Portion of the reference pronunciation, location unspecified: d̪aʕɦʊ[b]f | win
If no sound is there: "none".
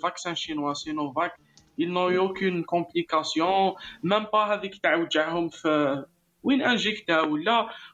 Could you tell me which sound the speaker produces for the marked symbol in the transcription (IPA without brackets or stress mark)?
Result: m